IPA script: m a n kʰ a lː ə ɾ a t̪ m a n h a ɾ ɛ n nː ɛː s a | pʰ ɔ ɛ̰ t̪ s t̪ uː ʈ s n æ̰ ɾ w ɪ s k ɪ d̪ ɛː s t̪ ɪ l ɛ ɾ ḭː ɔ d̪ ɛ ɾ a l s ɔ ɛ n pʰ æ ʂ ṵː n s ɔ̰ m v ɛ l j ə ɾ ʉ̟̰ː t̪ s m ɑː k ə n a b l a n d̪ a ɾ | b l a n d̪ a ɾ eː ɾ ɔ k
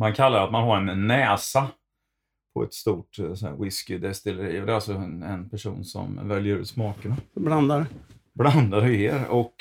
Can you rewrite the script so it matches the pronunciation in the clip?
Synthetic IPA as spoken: m a n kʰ a lː a ɾ a t̪ m a n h a ɾ ɛ n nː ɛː s a | pʰ ɔ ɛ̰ t̪ s t̪ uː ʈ s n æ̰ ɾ w ɪ s k ɪ d̪ ɛ s t̪ ɪ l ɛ ɾ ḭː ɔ d̪ ɛ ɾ a l s ɔ ɛ n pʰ æ ʂ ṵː n s ɔ̰ m v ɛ l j ə ɾ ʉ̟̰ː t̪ s m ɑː k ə n a b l a n d̪ a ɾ | b l a n d̪ a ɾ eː ɾ ɔ k